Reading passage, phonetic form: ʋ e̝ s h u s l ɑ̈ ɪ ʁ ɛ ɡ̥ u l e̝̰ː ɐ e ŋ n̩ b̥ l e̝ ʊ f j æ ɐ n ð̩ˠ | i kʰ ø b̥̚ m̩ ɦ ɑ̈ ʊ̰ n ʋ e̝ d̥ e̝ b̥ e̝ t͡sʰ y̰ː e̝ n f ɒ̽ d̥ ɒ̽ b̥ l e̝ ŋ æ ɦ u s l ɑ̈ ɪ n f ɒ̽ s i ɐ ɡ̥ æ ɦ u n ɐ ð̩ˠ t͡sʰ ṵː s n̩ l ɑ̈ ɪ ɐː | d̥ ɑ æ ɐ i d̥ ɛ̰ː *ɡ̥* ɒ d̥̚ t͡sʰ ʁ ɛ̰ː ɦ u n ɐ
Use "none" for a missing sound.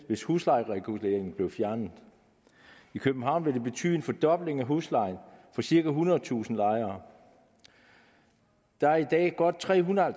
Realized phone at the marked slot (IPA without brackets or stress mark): ɡ̥